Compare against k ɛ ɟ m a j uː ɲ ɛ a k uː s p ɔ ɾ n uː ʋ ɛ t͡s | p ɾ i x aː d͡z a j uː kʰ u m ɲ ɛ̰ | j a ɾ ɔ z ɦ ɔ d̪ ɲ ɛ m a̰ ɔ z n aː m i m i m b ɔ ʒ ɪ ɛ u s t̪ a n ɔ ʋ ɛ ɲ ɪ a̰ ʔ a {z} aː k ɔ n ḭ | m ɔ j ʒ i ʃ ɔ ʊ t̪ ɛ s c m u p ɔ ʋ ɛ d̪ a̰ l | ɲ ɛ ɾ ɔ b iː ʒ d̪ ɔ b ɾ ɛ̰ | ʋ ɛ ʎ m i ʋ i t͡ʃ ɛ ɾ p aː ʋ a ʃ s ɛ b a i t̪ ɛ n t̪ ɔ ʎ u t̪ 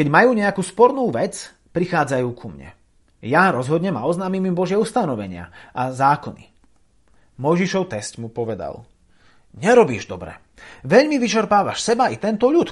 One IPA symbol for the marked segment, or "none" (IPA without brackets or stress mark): z